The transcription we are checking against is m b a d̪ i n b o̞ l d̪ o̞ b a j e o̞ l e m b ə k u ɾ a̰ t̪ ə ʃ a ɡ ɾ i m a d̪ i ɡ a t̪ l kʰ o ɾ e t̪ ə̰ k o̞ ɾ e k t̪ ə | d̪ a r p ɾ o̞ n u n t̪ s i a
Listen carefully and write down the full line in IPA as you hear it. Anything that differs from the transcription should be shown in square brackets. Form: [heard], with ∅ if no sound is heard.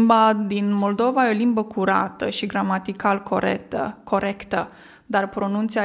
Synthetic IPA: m b a d̪ i n [m] o̞ l d̪ o̞ [v] a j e o̞ l [i] m b ə k u ɾ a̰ t̪ ə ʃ [i] ɡ ɾ [a] m a [t̪] i [k] a [∅] l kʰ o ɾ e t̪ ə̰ k o̞ ɾ e k t̪ ə | d̪ a r p ɾ o̞ n u n t̪ s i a